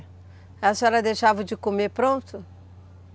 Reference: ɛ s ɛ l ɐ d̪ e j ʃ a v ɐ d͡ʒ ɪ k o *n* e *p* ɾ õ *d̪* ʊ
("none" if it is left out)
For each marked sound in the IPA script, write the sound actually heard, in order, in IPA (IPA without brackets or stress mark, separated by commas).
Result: m, p, t̪